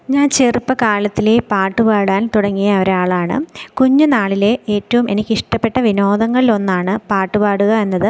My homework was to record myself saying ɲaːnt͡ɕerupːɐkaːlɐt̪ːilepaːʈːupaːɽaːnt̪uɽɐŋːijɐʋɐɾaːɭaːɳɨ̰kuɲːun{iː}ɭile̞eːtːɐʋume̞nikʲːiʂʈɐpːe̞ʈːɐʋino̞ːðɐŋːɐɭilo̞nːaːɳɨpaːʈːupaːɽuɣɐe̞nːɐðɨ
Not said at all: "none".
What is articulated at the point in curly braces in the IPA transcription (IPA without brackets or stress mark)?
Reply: aː